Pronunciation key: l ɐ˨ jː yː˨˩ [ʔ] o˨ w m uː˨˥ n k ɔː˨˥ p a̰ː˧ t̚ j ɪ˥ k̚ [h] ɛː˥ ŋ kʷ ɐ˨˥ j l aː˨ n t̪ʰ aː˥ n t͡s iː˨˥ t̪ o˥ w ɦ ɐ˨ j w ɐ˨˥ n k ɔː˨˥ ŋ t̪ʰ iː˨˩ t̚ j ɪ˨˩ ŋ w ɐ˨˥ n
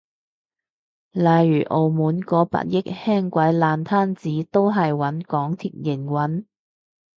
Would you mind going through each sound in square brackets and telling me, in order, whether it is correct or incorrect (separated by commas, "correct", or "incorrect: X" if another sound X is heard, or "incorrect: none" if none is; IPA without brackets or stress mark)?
correct, correct